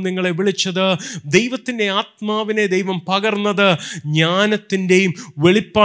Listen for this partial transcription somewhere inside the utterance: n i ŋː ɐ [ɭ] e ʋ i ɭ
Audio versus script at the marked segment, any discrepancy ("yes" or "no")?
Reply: no